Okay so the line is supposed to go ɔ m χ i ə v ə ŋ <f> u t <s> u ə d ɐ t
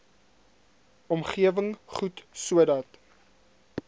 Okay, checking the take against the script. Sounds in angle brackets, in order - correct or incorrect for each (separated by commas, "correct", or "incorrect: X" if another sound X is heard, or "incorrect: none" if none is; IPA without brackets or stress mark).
incorrect: χ, correct